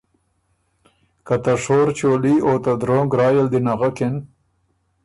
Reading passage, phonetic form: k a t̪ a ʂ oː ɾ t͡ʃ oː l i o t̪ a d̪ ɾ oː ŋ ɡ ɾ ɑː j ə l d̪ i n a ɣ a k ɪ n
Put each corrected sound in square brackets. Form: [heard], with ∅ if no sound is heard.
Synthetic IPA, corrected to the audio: k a t̪ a ʂ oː ɾ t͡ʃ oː l i o t̪ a d̪ ɾ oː ŋ ɡ ɾ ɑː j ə l d̪ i n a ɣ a k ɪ n